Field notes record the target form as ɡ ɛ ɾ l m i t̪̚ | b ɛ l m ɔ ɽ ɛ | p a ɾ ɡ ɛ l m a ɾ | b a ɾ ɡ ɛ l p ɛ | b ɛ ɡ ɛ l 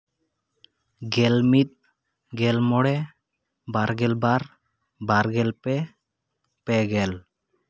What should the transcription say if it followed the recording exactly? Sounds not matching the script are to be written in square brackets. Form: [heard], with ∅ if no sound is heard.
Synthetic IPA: ɡ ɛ [∅] l m i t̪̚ | [ɡ] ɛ l m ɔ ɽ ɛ | [b] a ɾ ɡ ɛ l [b] a ɾ | b a ɾ ɡ ɛ l p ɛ | [p] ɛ ɡ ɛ l

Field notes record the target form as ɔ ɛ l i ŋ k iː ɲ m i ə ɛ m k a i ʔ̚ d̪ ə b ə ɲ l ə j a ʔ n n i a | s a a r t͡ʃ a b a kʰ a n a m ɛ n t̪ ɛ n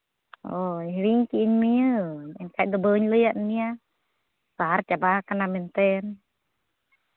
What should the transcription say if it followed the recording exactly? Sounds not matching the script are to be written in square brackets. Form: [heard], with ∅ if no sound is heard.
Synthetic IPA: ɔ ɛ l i ŋ k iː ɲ m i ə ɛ [n] k a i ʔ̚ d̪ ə b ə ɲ l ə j a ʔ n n i a | s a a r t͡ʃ a b a [k] a n a m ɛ n t̪ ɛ n

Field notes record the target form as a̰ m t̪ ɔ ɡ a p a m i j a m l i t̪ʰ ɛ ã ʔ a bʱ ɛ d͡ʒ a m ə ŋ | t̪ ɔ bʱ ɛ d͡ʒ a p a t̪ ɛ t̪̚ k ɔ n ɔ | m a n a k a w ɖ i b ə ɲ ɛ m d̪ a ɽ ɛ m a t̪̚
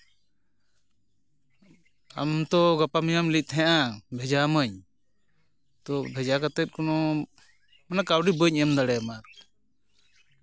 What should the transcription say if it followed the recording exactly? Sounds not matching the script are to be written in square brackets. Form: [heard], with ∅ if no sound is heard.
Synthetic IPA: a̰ m t̪ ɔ ɡ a p a m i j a m l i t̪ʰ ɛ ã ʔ a bʱ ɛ d͡ʒ a m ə [ɲ] | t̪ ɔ bʱ ɛ d͡ʒ a [k] a t̪ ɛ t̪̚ k ɔ n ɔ | m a n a k a w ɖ i b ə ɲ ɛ m d̪ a ɽ ɛ m a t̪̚

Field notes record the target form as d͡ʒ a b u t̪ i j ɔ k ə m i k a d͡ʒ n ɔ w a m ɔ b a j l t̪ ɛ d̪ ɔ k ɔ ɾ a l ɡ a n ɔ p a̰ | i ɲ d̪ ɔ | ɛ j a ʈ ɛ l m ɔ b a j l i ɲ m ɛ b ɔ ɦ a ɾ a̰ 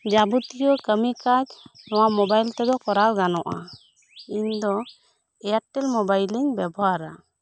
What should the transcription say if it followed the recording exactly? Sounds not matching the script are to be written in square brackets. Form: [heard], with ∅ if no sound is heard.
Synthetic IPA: d͡ʒ a b u t̪ i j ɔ k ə m i k a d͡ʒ n ɔ w a m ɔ b a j l t̪ ɛ d̪ ɔ k ɔ ɾ a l ɡ a n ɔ [ʔ] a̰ | i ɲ d̪ ɔ | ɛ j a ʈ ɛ l m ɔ b a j l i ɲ [b] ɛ b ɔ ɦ a ɾ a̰

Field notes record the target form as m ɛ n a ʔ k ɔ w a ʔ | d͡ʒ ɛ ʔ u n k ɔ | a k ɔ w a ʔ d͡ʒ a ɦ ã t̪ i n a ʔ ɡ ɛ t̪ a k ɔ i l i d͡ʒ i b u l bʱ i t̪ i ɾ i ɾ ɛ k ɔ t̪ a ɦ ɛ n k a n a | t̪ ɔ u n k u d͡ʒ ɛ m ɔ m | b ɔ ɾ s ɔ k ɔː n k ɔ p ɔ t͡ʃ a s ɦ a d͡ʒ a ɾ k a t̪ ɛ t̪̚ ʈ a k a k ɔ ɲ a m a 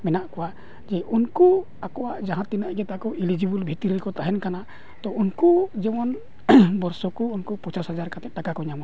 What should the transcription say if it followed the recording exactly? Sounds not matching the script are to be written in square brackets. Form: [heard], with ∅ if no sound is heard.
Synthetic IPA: m ɛ n a ʔ k ɔ w a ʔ | d͡ʒ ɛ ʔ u n k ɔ | a k ɔ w a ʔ d͡ʒ a ɦ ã t̪ i n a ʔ ɡ ɛ t̪ a k ɔ i l i d͡ʒ i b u l bʱ i t̪ i ɾ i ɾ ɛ k ɔ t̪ a ɦ ɛ n k a n a | t̪ ɔ u n k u d͡ʒ ɛ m ɔ [n] | b ɔ ɾ s ɔ k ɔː n k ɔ p ɔ t͡ʃ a s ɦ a d͡ʒ a ɾ k a t̪ ɛ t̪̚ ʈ a k a k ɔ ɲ a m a

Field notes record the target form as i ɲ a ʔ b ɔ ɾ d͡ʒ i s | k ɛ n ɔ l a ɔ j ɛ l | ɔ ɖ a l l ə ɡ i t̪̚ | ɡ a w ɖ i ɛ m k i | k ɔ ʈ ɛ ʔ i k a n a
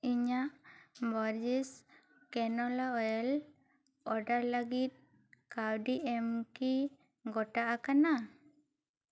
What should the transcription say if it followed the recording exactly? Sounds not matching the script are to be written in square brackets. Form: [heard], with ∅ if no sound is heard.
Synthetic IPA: i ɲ a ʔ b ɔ ɾ d͡ʒ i s | k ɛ n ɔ l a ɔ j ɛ l | ɔ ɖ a [ɾ] l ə ɡ i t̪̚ | [k] a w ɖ i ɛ m k i | [ɡ] ɔ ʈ [a] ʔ [a] k a n a

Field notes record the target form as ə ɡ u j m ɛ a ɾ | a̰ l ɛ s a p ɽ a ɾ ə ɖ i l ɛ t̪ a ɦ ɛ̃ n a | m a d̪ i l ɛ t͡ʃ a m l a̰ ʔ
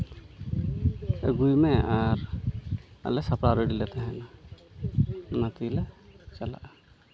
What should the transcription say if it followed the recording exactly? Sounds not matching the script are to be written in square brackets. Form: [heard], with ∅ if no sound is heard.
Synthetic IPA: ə ɡ u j m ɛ a ɾ | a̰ l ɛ s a p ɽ a ɾ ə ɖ i l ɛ t̪ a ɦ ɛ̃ n a | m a [t̪] i l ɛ t͡ʃ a [∅] l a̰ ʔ

